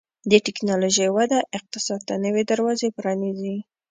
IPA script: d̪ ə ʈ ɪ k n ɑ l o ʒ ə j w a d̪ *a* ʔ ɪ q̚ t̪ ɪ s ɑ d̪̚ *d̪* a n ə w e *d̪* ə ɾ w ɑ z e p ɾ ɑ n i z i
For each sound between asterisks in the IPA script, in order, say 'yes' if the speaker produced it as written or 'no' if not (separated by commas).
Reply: yes, no, yes